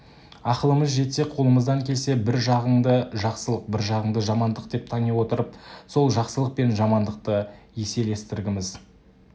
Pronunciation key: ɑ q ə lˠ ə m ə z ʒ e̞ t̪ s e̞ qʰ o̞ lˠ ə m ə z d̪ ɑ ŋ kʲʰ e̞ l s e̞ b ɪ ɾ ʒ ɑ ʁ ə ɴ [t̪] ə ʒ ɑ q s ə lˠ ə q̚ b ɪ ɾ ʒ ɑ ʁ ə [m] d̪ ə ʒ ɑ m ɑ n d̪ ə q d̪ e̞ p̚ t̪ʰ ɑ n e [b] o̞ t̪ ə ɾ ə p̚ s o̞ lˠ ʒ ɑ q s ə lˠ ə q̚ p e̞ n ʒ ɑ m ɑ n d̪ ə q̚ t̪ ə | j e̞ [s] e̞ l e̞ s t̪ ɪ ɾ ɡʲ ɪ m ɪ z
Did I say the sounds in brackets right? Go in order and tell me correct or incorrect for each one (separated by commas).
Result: incorrect, incorrect, incorrect, correct